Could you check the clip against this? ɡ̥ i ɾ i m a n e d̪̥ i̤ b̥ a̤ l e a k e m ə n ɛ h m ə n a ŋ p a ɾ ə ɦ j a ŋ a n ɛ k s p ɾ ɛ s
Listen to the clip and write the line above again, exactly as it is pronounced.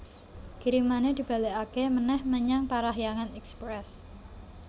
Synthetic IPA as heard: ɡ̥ i ɾ i m a n e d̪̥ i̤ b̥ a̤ l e a k e m ə n ɛ h m ə ɲ a ŋ p a ɾ a ɦ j a ŋ a n ɛ k s p ɾ ɛ s